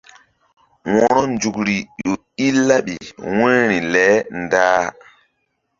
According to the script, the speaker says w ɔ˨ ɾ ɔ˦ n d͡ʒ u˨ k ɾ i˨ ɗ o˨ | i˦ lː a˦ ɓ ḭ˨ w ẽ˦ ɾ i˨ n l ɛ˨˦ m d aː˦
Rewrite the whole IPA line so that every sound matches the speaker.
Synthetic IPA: w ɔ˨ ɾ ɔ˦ n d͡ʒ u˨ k ɾ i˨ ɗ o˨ | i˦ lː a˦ ɓ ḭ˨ w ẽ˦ ɾ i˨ l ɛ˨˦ n d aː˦